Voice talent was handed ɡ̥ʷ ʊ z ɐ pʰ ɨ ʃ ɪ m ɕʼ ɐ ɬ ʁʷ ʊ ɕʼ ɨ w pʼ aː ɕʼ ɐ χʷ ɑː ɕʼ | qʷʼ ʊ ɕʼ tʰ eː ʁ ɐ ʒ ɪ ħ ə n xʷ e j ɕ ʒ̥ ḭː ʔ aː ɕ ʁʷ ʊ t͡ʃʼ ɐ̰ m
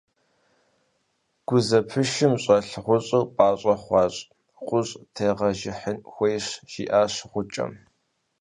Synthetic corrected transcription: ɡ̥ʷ ʊ z ɐ pʰ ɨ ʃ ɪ m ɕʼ ɐ ɬ ʁʷ ʊ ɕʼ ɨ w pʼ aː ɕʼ ɐ χʷ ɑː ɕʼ | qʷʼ ʊ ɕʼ tʰ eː ʁ ɐ ʒ ɪ ħ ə n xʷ e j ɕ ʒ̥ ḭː ʔ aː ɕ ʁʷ ʊ t͡ʃʼ ɐ̰ m

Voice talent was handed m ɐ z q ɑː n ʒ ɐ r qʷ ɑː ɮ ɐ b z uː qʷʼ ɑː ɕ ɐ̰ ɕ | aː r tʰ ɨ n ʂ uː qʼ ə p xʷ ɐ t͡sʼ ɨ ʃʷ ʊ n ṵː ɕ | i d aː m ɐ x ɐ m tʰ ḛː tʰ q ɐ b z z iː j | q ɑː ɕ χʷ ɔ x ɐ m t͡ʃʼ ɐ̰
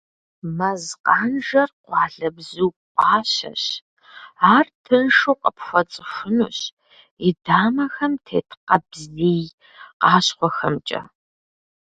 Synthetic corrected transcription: m ɐ z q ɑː n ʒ ɐ r qʷ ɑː ɮ ɐ b z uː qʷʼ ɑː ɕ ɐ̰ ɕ | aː r tʰ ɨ n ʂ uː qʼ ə p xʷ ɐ t͡sʼ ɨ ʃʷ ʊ n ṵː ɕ | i d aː m ɐ x ɐ m tʰ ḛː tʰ q ɐ b z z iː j | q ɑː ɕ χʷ ɔ x ɐ m t͡ʃʼ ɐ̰

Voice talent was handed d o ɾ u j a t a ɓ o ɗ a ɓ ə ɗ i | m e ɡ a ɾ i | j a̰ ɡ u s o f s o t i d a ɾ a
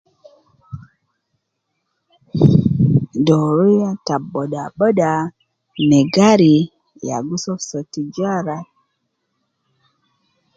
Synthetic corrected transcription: d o ɾ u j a t a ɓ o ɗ a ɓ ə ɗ a | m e ɡ a ɾ i | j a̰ ɡ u s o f s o t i d͡ʒ a ɾ a

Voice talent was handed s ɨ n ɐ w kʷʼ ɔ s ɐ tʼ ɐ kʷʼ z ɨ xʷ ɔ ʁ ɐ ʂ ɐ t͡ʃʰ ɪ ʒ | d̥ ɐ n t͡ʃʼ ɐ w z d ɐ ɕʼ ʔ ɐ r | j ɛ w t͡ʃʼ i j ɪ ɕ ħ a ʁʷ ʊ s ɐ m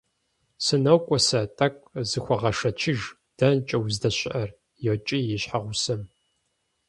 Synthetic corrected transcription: s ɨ n ɐ w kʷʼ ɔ s ɐ tʼ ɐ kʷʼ z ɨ xʷ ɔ ʁ ɐ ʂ ɐ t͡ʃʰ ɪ ʒ | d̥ ɐ n t͡ʃʼ ɐ w z d ɐ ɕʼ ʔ ɐ r | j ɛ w t͡ʃʼ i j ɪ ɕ ħ a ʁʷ ʊ s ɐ m

